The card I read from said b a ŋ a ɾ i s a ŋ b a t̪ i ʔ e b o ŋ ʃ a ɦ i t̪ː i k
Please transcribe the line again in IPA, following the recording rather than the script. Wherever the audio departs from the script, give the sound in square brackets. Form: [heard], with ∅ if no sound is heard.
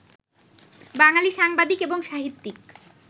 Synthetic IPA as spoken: b a ŋ a [l] i [ʃ] a ŋ b a [d̪] i [k] e b o ŋ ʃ a ɦ i t̪ː i k

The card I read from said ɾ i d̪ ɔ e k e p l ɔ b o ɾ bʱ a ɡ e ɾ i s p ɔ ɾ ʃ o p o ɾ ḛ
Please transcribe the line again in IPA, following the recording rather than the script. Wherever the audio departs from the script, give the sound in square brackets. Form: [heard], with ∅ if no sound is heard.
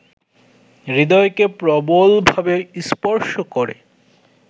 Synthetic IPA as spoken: ɾ i d̪ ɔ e k e p [ɾ] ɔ b o [l] bʱ a [b] e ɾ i s p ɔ ɾ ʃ o [k] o ɾ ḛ

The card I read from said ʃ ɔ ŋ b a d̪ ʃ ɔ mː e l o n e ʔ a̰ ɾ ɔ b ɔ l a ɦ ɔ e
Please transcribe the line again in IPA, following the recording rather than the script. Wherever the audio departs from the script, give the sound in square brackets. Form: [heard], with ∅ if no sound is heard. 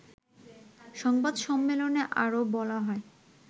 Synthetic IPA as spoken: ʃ ɔ ŋ b a d̪ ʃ ɔ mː e l o n e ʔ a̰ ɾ [o] b ɔ l a ɦ ɔ e

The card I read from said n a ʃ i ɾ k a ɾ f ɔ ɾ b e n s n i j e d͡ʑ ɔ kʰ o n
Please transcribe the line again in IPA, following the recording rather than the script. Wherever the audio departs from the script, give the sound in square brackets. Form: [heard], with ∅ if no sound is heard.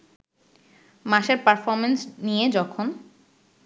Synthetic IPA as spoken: [m] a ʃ [e] ɾ [p] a ɾ f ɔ ɾ [m] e n s n i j e d͡ʑ ɔ kʰ o n

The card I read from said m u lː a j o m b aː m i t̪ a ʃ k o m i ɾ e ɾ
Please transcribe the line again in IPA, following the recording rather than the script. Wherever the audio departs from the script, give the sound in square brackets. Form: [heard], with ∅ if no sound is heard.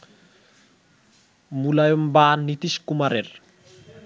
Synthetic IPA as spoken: m u [l] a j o m b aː [n] i t̪ [i] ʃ k [u] m [a] ɾ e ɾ

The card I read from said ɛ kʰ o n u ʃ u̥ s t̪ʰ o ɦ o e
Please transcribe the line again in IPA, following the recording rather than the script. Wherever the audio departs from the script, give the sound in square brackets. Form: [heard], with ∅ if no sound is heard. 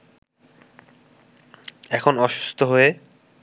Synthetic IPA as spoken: ɛ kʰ o n [ɔ] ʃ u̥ s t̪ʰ o ɦ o e

